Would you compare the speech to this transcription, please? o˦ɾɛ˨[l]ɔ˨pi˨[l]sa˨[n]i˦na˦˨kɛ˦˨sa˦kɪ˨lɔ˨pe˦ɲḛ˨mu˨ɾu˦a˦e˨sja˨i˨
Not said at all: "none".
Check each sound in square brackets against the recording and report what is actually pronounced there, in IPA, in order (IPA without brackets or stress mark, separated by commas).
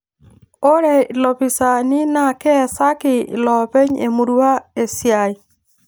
l, none, n